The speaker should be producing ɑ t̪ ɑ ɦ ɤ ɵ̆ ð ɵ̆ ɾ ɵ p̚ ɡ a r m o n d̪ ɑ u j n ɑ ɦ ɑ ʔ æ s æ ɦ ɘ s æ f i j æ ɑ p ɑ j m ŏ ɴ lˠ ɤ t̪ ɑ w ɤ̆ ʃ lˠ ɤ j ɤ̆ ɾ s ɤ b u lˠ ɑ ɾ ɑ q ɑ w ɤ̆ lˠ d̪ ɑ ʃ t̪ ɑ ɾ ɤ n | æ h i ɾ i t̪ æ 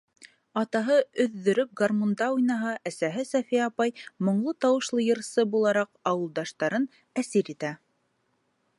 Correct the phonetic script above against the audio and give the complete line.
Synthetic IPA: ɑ t̪ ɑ ɦ ɤ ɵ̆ ðː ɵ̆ ɾ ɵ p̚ ɡ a r m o n d̪ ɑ u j n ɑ ɦ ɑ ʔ æ s æ ɦ ɘ s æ f i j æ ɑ p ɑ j m ŏ ɴ lˠ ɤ t̪ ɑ w ɤ̆ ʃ lˠ ɤ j ɤ̆ ɾ s ɤ b u lˠ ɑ ɾ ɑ q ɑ w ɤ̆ lˠ d̪ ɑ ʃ t̪ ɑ ɾ ɤ n | æ s i ɾ i t̪ æ